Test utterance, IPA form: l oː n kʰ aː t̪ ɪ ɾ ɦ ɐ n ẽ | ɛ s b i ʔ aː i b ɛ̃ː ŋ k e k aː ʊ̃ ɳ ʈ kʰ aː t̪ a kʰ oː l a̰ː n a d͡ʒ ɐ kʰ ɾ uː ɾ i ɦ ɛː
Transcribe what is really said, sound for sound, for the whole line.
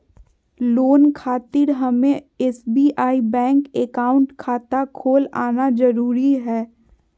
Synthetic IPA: l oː n kʰ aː t̪ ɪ ɾ ɦ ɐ m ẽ | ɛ s b i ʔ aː i b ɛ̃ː ŋ k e k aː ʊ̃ ɳ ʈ kʰ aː t̪ a kʰ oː l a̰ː n a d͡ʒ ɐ ɾ uː ɾ i ɦ ɛː

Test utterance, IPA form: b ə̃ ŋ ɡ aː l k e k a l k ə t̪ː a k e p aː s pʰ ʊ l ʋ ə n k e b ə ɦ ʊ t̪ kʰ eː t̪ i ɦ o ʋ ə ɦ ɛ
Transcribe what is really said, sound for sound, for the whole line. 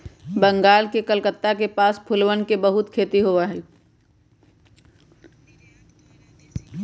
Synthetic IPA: b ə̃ ŋ ɡ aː l k e k ə l k ə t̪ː a k e p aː s pʰ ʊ l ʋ ə n k e b ə ɦ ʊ t̪ kʰ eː t̪ i ɦ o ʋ a ɦ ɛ

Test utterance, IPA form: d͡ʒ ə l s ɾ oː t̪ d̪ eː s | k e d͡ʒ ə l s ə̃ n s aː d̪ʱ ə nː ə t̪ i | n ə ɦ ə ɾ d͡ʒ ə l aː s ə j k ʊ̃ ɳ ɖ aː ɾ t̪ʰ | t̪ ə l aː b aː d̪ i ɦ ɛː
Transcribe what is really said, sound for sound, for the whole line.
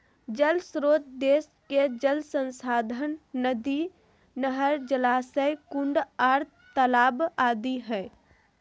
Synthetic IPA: d͡ʒ ə l s ɾ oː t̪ d̪ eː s | k e d͡ʒ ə l s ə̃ n s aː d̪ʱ ə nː ə d̪ i | n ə ɦ ə ɾ d͡ʒ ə l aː s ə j k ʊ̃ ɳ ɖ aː ɾ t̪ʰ | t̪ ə l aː b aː d̪ i ɦ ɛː

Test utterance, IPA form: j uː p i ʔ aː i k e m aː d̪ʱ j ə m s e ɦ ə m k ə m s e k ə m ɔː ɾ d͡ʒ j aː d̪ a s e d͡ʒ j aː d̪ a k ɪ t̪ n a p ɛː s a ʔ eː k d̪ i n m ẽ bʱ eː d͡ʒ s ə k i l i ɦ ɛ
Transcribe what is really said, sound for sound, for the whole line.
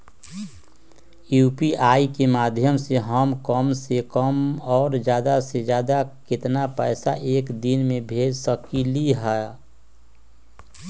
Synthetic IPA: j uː p i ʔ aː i k e m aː d̪ʱ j ə m s e ɦ ə m k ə m s e k ə m ɔː ɾ d͡ʒ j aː d̪ a s e d͡ʒ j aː d̪ a k ɪ t̪ n a p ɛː s a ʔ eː k d̪ i n m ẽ bʱ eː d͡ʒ s ə k i l i ɦ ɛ

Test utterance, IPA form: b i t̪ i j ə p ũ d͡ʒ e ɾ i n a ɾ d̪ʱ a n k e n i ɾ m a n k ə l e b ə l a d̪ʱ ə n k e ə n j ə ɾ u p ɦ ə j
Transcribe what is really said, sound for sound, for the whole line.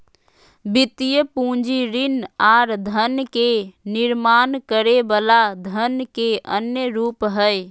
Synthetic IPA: b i t̪ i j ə p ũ d͡ʒ i ɾ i n a ɾ d̪ʱ ə n k e n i ɾ m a n k ə ɾ e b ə l a d̪ʱ ə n k e ə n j ə ɾ u p ɦ ə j

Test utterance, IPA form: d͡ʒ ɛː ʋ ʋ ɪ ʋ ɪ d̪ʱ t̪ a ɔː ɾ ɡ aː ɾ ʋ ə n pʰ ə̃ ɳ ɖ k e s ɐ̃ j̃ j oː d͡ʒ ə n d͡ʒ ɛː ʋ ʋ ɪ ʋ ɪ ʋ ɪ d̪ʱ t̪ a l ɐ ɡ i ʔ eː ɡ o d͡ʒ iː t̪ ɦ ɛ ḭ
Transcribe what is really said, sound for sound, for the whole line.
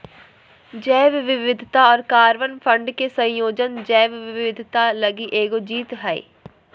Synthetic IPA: d͡ʒ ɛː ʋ ʋ ɪ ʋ ɪ d̪ʱ t̪ a ɔː ɾ k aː ɾ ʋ ə n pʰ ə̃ ɳ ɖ k e s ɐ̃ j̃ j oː d͡ʒ ə n d͡ʒ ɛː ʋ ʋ ɪ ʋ ɪ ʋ ɪ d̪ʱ t̪ a l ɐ ɡ i ʔ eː ɡ o d͡ʒ iː t̪ ɦ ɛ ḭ

